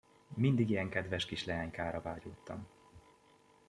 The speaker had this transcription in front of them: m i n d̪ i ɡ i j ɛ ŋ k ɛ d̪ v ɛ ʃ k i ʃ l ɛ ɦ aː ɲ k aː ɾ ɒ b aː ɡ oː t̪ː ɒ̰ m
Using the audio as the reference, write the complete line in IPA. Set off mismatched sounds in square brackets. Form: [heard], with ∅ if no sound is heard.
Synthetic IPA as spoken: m i n d̪ i ɡ i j ɛ ŋ k ɛ d̪ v ɛ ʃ k i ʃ l ɛ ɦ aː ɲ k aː ɾ ɒ [v] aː [ɟ] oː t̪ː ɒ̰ m